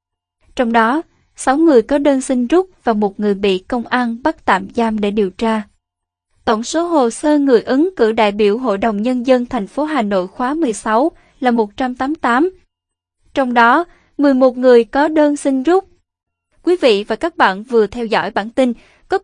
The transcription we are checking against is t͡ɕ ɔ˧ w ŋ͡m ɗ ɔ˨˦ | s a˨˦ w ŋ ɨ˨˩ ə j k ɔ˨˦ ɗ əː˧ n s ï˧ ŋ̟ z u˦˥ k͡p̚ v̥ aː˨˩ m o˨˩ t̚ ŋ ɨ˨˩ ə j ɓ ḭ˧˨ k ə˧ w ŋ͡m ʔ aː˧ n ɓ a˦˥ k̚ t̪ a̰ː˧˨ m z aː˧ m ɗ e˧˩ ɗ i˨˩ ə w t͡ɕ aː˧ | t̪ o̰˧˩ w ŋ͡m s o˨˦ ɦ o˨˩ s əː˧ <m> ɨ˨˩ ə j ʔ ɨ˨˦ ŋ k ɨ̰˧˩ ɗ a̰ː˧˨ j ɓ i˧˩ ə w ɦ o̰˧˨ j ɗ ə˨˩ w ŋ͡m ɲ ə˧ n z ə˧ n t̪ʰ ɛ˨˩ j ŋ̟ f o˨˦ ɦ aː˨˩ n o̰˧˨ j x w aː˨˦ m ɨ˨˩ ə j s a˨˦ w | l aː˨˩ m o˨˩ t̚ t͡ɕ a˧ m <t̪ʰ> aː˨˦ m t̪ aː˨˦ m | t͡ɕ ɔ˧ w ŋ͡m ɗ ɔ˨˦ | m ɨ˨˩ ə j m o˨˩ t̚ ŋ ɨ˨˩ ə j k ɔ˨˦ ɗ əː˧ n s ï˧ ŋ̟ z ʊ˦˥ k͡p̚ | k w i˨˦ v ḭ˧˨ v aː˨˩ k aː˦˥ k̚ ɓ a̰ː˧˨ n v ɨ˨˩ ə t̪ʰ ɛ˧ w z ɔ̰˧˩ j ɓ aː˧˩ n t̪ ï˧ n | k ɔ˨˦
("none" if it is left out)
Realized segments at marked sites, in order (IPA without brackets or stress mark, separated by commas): ŋ, t̪